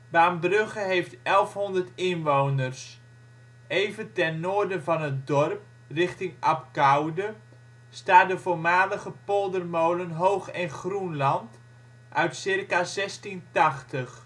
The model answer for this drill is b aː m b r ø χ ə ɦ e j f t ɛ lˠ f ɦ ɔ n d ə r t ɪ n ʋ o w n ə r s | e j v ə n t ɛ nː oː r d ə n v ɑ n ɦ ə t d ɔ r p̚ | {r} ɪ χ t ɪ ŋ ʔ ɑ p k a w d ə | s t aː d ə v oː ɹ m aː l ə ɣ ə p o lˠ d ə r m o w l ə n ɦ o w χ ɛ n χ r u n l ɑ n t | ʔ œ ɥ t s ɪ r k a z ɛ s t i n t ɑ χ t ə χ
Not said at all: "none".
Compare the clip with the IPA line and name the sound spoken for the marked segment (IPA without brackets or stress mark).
r